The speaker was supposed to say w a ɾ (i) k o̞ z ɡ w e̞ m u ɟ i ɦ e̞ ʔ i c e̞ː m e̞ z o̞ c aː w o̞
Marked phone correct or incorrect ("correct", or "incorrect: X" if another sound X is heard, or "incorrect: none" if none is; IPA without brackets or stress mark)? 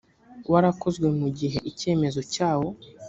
incorrect: a